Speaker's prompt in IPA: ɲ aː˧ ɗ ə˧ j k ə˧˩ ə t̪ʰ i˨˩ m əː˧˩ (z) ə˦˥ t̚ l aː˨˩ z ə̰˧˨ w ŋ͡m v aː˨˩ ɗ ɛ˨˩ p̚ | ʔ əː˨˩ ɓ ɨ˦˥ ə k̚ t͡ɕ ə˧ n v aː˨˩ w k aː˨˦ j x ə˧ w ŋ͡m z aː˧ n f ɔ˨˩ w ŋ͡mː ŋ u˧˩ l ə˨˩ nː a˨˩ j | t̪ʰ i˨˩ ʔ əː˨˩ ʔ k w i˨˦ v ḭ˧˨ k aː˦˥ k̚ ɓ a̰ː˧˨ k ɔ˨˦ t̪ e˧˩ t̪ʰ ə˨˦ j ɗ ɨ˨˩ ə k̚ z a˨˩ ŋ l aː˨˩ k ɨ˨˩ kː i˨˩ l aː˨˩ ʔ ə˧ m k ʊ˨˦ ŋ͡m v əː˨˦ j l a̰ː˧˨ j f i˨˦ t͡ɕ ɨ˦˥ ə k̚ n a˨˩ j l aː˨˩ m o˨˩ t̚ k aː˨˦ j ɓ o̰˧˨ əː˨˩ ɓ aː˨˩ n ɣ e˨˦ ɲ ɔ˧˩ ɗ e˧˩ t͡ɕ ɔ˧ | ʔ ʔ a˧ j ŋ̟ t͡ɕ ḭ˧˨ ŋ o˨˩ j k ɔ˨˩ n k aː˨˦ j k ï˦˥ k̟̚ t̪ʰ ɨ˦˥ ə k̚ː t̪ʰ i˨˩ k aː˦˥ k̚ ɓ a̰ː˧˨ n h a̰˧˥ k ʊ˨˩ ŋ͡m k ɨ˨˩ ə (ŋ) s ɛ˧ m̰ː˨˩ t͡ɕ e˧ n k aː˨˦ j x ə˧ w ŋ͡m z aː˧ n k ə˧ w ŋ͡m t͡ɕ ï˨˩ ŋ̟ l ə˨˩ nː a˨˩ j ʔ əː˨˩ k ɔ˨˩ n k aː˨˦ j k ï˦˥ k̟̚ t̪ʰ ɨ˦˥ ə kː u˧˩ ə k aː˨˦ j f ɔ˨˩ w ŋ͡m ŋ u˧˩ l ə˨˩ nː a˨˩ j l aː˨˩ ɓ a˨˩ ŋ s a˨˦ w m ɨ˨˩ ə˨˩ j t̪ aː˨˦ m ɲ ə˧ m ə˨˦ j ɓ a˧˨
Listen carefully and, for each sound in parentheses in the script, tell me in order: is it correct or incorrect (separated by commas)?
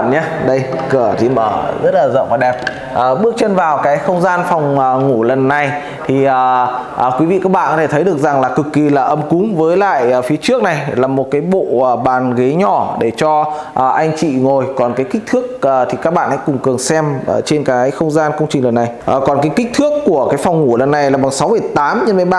correct, correct